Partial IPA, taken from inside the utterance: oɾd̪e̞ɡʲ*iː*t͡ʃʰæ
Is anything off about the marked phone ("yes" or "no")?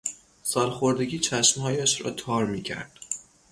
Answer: no